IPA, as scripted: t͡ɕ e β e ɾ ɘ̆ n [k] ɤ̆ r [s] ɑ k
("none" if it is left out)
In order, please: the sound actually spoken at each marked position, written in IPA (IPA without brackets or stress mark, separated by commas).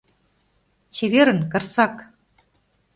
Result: k, s